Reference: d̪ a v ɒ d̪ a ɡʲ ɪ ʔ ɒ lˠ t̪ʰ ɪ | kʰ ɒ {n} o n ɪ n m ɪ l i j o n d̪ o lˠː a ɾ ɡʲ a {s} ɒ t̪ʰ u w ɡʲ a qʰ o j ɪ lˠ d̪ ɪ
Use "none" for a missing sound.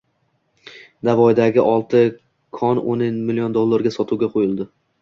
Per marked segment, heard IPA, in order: n, s

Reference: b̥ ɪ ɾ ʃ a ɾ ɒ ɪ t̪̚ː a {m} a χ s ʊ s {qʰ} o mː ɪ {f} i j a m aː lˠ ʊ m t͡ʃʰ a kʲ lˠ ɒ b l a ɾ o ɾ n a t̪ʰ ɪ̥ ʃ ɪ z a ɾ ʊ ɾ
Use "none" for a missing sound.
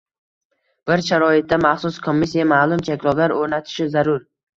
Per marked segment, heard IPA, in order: m, kʰ, s

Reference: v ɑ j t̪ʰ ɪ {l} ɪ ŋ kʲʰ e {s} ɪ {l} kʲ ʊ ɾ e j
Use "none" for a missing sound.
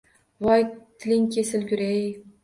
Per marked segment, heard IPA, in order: l, s, l

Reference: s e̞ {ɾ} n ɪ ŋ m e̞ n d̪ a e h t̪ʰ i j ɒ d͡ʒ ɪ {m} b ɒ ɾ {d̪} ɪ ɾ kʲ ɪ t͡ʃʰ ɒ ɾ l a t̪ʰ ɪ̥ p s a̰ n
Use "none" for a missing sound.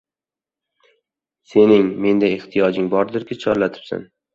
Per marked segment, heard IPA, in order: none, ŋ, d̪

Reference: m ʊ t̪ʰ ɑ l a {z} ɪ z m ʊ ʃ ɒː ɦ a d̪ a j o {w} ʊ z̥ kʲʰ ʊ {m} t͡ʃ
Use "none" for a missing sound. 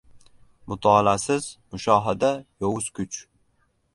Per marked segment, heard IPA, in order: s, w, none

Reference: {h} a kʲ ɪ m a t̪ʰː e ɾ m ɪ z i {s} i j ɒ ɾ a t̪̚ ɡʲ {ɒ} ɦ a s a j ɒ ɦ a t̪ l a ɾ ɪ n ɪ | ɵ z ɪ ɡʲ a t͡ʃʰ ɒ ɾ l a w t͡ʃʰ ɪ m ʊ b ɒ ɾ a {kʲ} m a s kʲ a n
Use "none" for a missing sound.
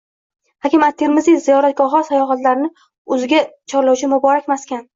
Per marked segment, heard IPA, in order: h, z, ɒ, kʲ

